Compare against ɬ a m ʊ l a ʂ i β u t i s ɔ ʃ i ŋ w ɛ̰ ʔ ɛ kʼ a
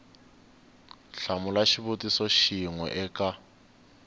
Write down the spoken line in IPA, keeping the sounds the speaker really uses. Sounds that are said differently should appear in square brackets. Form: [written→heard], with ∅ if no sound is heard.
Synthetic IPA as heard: ɬ a m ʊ l a [ʂ→ʃ] i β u t i s ɔ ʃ i ŋ w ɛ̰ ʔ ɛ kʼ a